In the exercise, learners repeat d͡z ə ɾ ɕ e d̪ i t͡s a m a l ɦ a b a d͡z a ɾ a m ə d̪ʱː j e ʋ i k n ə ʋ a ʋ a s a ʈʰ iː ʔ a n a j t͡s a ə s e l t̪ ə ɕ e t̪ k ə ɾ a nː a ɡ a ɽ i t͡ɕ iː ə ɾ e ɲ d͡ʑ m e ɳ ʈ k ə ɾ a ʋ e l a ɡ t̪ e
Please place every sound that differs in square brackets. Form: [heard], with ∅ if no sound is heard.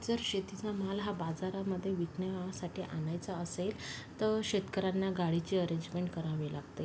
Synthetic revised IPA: d͡z ə ɾ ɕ e [t̪] i t͡s a m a l ɦ a b a d͡z a ɾ a m ə d̪ʱː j e ʋ i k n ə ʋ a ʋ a s a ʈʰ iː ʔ a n a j t͡s a ə s e l t̪ ə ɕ e t̪ k ə ɾ a nː a ɡ a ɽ i t͡ɕ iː ə ɾ e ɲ d͡ʑ m e ɳ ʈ k ə ɾ a ʋ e l a ɡ t̪ e